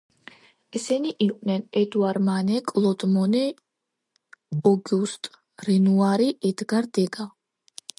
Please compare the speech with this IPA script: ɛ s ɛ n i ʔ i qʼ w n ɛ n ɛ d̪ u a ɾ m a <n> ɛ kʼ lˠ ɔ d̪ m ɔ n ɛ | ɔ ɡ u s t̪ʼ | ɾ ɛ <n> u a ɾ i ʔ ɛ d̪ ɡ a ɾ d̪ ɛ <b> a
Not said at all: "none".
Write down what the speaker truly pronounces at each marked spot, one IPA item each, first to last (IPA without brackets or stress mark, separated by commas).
n, n, ɡ